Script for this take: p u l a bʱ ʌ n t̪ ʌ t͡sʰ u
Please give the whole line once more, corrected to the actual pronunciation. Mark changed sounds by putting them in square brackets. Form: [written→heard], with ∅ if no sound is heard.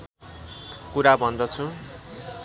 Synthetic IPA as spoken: [p→k] u [l→ɾ] a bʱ ʌ n [t̪→d̪] ʌ t͡sʰ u